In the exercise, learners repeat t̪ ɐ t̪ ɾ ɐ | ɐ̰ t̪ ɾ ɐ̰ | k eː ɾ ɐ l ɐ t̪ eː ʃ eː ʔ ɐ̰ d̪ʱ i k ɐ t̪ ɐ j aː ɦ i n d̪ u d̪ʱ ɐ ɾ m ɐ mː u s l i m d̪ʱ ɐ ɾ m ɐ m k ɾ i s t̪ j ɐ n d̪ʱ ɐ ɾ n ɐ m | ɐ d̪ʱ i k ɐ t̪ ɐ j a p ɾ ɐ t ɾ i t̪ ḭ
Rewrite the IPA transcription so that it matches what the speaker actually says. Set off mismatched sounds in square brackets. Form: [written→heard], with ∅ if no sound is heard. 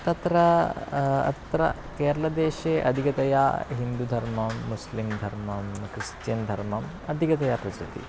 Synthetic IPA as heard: t̪ ɐ t̪ ɾ ɐ | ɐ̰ t̪ ɾ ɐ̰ | k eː ɾ ɐ l ɐ [t̪→d̪] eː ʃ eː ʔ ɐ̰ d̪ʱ i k ɐ t̪ ɐ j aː ɦ i n d̪ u d̪ʱ ɐ ɾ m ɐ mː u s l i m d̪ʱ ɐ ɾ m ɐ m k ɾ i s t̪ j ɐ n d̪ʱ ɐ ɾ [n→m] ɐ m | ɐ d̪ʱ i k ɐ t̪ ɐ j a p ɾ ɐ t ɾ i t̪ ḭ